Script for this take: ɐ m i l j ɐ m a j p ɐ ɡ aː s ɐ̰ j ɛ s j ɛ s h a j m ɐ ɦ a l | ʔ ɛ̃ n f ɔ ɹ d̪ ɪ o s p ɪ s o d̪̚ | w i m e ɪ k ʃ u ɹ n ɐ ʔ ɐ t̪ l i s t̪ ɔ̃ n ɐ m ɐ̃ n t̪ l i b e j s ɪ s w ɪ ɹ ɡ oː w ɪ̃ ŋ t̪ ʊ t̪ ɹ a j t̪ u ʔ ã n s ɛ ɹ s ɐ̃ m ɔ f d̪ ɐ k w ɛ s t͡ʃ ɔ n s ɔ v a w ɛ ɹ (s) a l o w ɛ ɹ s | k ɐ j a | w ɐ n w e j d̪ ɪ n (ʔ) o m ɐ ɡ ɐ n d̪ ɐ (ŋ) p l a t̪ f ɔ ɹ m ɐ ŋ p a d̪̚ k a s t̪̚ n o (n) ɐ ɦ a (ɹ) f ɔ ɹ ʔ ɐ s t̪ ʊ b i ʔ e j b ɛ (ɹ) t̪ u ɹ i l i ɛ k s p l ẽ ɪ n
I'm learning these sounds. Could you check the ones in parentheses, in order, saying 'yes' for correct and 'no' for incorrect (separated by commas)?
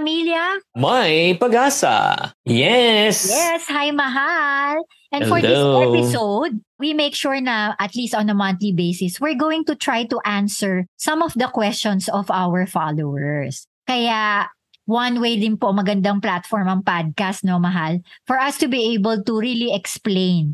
no, no, yes, no, no, no